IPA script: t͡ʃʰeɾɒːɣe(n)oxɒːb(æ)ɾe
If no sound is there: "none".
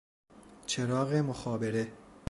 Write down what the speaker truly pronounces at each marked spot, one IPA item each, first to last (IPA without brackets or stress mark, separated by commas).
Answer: m, e